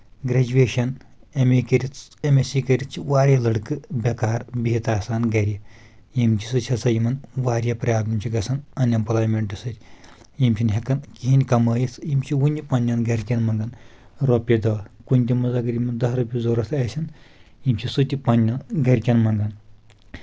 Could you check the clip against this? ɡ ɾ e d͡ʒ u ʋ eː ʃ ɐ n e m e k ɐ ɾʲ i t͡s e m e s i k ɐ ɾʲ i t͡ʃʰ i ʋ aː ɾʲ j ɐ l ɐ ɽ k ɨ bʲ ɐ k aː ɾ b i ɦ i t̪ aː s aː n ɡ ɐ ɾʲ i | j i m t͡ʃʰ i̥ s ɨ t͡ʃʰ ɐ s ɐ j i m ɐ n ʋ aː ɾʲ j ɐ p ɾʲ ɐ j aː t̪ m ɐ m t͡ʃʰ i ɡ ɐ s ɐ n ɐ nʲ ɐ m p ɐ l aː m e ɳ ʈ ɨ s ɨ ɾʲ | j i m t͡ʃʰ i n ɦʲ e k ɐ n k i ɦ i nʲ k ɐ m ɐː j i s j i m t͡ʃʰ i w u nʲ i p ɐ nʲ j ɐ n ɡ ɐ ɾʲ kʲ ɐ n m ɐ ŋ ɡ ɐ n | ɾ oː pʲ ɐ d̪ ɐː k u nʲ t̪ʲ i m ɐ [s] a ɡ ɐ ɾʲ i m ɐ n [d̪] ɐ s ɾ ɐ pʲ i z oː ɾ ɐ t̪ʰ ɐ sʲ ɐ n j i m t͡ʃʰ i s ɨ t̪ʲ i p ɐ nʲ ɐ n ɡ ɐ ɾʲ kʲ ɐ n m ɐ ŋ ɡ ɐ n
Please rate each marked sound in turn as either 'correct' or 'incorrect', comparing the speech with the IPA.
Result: incorrect, correct

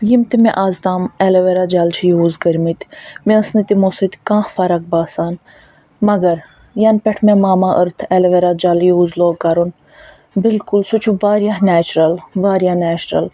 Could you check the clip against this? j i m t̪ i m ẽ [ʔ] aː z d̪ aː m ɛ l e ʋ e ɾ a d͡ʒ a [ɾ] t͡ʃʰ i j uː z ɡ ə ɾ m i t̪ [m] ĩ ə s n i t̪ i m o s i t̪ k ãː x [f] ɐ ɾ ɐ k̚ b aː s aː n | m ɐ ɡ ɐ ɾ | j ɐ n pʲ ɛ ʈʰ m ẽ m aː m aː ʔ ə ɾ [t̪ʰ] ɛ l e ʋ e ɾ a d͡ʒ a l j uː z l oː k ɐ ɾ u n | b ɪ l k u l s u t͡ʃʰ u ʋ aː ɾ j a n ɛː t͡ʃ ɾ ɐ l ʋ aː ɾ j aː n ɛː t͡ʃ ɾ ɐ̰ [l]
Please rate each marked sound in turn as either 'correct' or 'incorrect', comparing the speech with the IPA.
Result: correct, incorrect, correct, correct, correct, correct

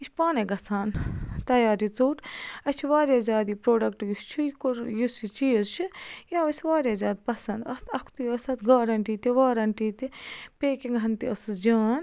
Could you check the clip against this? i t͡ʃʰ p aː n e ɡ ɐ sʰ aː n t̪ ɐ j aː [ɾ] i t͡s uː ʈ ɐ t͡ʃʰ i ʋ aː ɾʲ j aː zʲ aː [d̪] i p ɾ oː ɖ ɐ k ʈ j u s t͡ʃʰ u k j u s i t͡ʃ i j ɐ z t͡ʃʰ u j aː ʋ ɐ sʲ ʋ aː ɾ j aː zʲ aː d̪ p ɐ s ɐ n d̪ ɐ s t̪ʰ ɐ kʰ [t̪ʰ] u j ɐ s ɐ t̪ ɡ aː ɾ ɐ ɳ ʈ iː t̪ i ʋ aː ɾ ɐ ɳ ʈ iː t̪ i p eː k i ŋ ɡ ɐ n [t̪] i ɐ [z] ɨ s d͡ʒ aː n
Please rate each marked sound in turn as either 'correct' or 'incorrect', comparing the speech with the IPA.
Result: correct, correct, incorrect, correct, incorrect

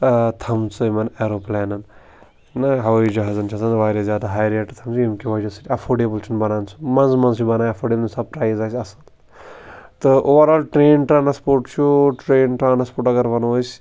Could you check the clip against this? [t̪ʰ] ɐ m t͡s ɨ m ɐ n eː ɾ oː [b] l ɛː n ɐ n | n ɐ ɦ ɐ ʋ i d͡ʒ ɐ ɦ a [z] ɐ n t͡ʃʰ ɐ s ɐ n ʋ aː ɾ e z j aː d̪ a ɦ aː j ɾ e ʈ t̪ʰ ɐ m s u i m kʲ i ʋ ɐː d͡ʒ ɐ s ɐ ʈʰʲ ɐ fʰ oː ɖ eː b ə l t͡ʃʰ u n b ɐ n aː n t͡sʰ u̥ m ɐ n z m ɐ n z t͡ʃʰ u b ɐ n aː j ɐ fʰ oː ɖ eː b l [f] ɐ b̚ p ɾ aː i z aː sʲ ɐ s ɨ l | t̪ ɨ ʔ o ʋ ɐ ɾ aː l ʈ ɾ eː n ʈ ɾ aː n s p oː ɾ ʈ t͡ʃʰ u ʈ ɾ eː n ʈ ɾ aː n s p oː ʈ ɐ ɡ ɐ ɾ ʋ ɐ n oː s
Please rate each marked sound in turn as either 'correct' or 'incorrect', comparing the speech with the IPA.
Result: correct, incorrect, correct, incorrect

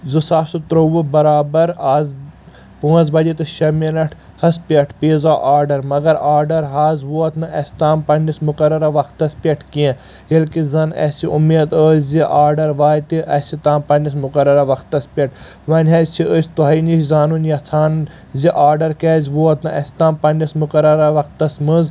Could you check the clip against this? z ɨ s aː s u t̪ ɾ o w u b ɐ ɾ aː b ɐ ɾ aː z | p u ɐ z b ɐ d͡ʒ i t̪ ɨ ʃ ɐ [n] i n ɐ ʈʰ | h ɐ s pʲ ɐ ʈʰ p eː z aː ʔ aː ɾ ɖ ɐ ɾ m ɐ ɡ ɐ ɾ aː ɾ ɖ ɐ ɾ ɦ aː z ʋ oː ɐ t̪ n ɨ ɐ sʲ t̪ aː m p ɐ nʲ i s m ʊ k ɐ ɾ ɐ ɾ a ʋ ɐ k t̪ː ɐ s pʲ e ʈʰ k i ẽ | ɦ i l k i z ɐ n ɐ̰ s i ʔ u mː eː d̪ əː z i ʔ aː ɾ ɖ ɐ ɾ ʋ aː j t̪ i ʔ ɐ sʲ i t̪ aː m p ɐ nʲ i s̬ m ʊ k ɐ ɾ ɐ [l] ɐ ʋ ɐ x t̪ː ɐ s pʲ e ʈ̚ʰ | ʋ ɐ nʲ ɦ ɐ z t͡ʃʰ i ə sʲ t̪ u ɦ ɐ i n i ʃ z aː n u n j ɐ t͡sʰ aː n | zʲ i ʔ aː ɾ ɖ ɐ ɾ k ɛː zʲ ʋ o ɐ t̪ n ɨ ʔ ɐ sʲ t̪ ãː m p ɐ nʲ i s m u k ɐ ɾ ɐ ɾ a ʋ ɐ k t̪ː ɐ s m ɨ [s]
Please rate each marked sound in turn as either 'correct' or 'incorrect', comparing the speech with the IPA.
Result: incorrect, incorrect, incorrect

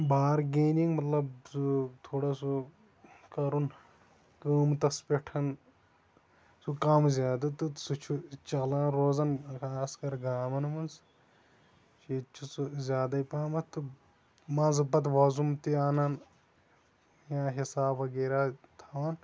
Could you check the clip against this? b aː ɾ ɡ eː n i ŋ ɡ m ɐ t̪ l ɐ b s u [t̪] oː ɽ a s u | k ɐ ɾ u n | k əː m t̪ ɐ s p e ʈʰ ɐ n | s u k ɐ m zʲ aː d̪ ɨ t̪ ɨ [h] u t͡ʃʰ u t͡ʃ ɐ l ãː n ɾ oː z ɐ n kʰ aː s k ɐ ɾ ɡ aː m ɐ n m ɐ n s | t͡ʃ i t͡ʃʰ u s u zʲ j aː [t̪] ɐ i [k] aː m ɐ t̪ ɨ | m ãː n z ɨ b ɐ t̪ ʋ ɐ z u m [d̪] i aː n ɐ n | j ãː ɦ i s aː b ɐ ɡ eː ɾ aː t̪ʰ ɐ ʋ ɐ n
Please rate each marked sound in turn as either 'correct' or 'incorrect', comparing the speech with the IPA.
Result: incorrect, incorrect, incorrect, incorrect, incorrect

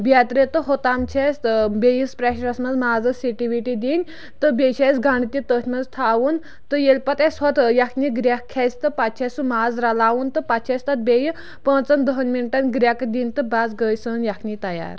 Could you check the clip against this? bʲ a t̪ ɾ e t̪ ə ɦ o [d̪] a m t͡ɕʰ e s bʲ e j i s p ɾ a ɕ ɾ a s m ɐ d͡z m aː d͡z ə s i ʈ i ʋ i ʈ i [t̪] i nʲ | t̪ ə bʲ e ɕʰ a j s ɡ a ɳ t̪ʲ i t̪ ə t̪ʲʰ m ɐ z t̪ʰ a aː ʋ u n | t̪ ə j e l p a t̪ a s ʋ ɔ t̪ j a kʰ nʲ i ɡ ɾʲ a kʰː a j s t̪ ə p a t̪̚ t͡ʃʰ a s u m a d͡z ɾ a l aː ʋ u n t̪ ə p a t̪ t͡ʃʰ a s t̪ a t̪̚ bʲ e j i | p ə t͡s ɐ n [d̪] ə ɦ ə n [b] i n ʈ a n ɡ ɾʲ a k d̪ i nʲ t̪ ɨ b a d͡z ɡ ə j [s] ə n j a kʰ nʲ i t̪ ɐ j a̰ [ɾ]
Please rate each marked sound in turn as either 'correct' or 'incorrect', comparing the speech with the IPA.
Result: incorrect, incorrect, correct, incorrect, correct, correct

